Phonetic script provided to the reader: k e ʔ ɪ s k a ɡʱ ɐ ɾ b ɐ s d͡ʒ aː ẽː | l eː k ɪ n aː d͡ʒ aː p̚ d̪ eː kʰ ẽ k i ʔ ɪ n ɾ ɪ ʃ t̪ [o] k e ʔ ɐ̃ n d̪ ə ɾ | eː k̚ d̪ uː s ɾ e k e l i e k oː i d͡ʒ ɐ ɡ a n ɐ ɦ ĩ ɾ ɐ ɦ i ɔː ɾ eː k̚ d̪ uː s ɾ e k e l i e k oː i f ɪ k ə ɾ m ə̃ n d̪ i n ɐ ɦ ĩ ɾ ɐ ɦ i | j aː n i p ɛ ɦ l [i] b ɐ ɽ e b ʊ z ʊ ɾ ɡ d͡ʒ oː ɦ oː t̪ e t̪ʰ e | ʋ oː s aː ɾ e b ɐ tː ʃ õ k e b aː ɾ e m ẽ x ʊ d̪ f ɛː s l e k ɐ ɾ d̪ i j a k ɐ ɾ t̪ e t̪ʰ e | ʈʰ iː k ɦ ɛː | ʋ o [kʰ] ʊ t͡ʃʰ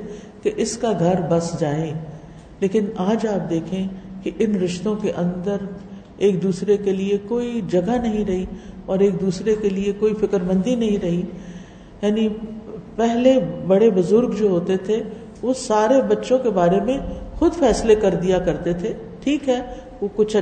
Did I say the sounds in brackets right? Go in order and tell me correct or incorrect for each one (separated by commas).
incorrect, incorrect, incorrect